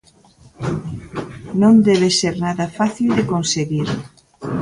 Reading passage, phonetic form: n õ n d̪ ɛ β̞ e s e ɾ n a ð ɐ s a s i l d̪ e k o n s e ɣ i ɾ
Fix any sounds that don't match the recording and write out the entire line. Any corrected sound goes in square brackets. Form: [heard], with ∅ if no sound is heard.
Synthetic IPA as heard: n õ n d̪ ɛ β̞ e s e ɾ n a ð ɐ [f] a [θ] i l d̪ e k o n s e ɣ i ɾ